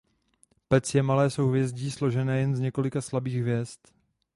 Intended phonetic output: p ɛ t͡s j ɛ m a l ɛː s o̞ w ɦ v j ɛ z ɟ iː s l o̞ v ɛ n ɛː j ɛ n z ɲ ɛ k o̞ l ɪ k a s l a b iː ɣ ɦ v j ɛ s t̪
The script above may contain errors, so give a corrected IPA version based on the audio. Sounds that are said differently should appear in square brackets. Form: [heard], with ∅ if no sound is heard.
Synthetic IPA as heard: p ɛ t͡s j ɛ m a l ɛː s o̞ w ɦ v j ɛ z ɟ iː s l o̞ [ʒ] ɛ n ɛː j ɛ n z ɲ ɛ k o̞ l ɪ k a s l a b iː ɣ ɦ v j ɛ s t̪